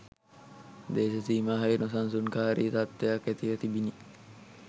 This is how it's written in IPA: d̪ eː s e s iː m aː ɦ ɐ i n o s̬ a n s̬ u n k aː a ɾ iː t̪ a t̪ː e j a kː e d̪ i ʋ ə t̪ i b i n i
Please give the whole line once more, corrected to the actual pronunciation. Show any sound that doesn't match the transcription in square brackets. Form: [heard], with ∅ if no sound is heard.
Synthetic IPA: d̪ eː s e s iː m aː ɦ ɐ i n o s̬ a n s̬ u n k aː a ɾ iː t̪ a t̪ː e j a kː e [t̪] i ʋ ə t̪ i b i n i

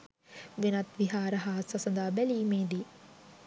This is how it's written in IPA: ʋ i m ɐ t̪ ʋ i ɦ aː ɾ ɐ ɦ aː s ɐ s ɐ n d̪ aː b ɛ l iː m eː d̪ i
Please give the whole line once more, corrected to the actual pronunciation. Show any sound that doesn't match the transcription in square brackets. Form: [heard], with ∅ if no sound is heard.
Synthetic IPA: ʋ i [n] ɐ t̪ ʋ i ɦ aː ɾ ɐ ɦ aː s ɐ s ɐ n d̪ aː b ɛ l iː m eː d̪ i

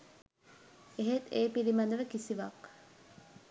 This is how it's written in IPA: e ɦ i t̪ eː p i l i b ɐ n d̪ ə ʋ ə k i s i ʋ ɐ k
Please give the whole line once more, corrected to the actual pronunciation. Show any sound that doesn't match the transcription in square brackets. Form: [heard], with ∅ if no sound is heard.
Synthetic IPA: e ɦ [e] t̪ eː p i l i [m] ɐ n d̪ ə ʋ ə k i s i ʋ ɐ k

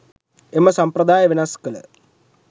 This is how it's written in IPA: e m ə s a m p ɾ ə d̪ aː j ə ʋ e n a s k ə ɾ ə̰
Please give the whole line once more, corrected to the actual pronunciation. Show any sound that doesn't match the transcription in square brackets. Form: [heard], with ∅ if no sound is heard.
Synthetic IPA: e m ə s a m p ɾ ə d̪ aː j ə ʋ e n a s k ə [l] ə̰

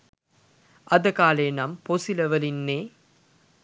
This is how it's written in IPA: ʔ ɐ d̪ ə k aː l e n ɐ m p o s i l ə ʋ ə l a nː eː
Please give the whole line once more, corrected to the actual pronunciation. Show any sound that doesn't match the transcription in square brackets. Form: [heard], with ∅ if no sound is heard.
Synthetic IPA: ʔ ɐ d̪ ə k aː l e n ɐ m p o s i l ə ʋ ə l [i] nː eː

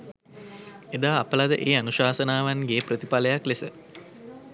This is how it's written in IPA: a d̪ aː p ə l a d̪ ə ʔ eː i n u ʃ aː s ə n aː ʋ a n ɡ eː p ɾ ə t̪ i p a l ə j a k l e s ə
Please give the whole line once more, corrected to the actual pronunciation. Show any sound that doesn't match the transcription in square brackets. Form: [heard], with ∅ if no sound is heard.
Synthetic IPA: [e] d̪ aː p ə l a d̪ ə ʔ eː [a] n u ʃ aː s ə n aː ʋ a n ɡ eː p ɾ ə t̪ i p a l ə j a k l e s ə

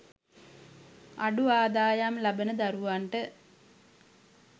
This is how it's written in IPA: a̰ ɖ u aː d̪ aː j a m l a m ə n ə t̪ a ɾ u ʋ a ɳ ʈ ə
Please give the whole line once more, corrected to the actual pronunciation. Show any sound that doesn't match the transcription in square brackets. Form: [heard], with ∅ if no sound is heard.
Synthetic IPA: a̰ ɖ u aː d̪ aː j a m l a [b] ə n ə [d̪] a ɾ u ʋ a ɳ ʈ ə

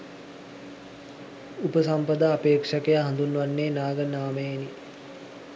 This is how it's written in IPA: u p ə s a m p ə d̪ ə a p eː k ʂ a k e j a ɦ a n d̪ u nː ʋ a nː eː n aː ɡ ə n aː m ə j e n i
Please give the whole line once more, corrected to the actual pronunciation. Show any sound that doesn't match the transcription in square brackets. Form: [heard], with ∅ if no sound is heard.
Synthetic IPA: u p ə s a m p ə d̪ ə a p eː k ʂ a k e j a ɦ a n d̪ u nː ʋ a nː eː n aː ɡ ə n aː m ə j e n i

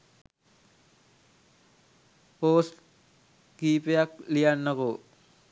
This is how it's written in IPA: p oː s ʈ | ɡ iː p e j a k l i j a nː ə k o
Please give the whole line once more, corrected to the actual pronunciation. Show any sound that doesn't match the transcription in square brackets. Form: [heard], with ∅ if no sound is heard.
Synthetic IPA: p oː s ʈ | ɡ iː p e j a k l i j a nː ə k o

